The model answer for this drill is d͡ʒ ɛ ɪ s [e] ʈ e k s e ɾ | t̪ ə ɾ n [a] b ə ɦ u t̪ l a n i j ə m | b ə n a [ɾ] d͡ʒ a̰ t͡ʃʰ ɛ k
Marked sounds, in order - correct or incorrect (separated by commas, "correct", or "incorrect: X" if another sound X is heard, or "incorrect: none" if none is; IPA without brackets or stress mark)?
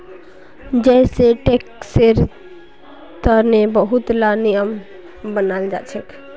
correct, incorrect: e, incorrect: l